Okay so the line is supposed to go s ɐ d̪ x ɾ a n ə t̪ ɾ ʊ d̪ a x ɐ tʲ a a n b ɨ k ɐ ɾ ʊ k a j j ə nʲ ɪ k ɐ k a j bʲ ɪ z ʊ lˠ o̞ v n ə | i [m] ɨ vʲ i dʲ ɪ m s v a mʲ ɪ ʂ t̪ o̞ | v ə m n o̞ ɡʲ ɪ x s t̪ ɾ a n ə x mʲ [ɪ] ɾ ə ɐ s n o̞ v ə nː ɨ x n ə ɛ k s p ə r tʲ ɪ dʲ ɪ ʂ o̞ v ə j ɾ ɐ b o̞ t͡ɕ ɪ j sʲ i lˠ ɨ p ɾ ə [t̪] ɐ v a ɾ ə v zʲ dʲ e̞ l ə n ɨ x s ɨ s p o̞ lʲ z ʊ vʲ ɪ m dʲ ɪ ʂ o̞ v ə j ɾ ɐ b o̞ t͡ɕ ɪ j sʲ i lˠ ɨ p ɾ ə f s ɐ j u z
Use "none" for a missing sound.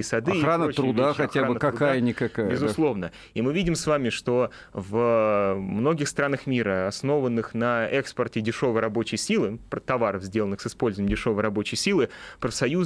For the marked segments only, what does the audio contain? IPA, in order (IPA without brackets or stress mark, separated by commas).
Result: m, i, t̪